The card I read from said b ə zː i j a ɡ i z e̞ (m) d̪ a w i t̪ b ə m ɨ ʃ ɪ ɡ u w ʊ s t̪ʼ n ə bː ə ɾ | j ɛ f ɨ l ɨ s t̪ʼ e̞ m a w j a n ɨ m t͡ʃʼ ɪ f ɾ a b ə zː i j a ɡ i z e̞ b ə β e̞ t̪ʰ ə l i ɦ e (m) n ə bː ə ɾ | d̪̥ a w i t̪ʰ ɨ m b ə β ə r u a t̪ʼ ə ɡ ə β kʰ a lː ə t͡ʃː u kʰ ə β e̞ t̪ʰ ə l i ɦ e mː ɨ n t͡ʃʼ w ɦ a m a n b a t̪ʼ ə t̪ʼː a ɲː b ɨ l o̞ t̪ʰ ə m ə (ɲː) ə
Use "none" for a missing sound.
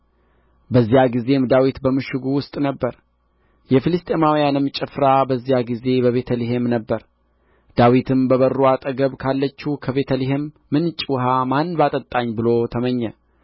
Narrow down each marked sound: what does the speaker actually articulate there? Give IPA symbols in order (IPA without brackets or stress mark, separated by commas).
m, m, ɲː